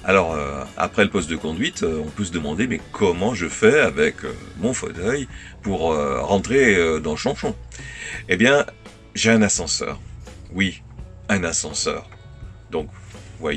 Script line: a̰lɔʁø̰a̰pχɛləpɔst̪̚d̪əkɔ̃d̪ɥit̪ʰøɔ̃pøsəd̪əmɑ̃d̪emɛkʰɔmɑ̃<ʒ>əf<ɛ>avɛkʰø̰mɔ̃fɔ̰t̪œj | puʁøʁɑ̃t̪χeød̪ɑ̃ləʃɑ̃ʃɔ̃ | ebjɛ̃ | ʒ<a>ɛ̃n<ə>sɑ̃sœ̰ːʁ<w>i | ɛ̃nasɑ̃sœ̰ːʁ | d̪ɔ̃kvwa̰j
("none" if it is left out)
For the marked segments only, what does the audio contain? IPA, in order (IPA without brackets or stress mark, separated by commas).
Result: ʒ, ɛ, e, a, w